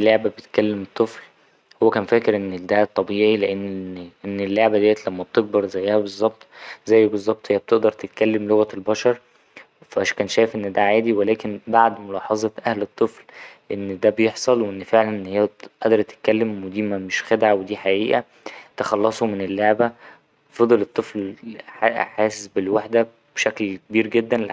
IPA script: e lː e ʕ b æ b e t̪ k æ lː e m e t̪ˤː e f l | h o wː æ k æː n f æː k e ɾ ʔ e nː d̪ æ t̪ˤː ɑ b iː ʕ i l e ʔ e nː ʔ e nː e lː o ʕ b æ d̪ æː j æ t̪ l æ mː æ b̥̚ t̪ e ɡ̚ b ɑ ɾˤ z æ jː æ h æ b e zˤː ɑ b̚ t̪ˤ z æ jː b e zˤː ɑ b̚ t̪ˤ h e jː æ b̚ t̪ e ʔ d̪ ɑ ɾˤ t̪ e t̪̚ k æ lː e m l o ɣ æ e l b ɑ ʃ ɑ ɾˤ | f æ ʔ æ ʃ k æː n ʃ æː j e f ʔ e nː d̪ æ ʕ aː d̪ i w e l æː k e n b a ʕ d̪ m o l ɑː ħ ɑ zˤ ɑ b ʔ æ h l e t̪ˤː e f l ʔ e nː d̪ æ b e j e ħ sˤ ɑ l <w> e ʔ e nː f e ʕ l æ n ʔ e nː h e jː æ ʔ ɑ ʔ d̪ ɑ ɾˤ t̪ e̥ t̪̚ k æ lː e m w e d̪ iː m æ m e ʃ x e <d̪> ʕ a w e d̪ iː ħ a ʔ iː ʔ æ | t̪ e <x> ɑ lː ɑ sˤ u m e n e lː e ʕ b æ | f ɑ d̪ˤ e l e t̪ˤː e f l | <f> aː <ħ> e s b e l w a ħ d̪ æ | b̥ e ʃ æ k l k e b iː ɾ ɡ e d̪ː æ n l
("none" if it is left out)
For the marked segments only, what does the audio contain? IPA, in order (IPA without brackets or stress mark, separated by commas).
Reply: w, d̪, x, ħ, s